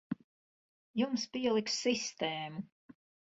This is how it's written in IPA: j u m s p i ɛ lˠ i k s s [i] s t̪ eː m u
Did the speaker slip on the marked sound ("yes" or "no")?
no